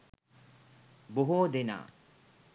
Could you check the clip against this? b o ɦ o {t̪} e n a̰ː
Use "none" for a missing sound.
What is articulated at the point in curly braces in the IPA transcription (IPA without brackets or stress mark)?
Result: d̪